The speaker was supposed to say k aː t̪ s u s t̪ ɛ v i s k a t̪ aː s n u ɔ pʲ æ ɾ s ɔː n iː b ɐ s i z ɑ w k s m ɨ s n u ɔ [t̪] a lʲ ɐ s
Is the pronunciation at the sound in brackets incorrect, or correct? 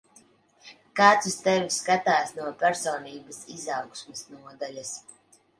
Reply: incorrect